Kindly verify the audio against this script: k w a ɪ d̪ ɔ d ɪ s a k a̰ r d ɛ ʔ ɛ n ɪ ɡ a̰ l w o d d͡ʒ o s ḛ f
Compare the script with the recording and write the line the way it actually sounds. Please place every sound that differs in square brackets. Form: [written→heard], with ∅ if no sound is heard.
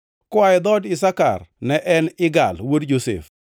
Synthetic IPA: k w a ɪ d̪ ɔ d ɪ s a k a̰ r [d→n] ɛ ʔ ɛ n ɪ ɡ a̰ l w o d d͡ʒ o s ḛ f